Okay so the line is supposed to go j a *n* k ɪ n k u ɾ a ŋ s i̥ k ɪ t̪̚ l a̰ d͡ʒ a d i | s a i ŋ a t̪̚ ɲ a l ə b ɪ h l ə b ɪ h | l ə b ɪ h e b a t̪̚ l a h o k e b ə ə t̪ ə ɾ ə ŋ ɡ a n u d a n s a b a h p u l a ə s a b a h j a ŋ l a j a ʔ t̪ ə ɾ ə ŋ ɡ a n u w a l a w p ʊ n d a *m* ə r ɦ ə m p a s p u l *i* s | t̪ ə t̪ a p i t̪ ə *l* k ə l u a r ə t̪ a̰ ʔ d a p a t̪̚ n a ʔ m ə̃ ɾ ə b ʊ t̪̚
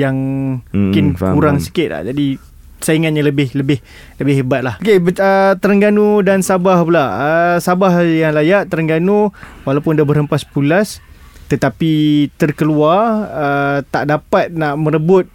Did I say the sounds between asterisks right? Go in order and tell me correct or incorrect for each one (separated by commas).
incorrect, incorrect, incorrect, incorrect